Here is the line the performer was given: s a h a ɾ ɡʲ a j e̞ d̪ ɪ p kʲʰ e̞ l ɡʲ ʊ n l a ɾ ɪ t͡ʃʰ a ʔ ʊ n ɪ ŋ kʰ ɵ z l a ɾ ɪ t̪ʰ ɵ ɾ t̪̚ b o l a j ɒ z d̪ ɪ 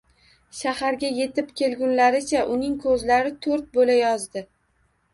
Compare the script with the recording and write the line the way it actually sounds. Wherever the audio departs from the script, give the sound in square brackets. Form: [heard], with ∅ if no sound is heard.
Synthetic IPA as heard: [ʃ] a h a ɾ ɡʲ a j e̞ [t̪] ɪ p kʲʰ e̞ l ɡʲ ʊ n l a ɾ ɪ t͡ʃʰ a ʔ ʊ n ɪ ŋ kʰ ɵ z l a ɾ ɪ t̪ʰ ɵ ɾ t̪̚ b o l a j ɒ z d̪ ɪ